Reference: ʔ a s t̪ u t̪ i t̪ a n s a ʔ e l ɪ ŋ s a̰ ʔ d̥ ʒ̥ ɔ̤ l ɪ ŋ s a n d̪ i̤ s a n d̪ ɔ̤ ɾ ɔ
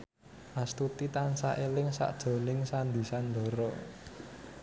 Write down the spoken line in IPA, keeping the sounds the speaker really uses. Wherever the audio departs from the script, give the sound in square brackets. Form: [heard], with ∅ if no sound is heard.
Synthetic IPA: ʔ a s t̪ u t̪ i t̪ a n s a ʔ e l ɪ ŋ s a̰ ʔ d̥ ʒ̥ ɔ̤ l ɪ ŋ s a n d̪ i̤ s a n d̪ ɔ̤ ɾ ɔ